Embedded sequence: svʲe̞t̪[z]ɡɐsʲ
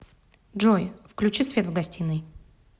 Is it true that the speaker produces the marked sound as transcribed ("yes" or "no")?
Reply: no